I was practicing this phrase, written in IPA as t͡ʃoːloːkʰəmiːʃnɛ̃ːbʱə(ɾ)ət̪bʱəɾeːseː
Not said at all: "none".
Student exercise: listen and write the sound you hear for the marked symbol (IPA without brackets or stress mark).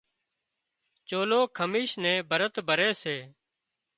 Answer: ɾ